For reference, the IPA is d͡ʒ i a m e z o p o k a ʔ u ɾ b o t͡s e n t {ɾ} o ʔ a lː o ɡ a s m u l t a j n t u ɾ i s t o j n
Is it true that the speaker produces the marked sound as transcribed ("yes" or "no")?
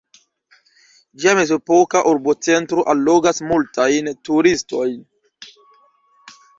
yes